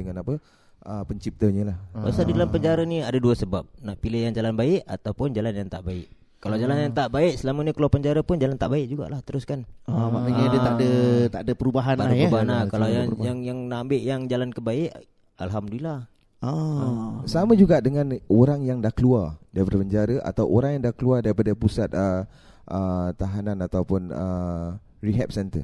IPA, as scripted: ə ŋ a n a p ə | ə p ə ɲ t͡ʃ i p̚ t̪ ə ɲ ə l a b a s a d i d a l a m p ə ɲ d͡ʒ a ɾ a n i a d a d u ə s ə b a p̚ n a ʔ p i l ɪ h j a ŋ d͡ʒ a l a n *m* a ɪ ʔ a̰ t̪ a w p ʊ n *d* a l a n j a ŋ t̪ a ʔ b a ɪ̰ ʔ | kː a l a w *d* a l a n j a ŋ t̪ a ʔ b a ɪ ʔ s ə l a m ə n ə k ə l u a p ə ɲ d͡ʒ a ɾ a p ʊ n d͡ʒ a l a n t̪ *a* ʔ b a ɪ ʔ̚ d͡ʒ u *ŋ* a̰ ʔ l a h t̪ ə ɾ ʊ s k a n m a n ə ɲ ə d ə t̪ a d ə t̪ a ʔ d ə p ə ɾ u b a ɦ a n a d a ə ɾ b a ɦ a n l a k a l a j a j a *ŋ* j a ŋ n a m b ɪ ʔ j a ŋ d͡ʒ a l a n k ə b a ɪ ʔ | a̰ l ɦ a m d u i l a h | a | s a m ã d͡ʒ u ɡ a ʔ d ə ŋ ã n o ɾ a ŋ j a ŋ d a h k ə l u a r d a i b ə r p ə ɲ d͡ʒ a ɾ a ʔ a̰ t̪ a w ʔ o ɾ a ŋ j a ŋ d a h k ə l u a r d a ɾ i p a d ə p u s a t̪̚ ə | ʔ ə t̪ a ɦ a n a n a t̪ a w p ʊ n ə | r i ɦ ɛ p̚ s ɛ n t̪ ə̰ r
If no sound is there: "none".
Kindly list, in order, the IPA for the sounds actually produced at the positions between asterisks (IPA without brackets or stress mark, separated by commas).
b, d͡ʒ, d͡ʒ, a, ɡ, ŋ